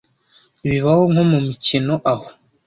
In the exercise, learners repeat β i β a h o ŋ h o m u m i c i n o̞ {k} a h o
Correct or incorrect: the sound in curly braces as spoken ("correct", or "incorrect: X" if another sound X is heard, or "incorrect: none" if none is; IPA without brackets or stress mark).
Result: incorrect: ʔ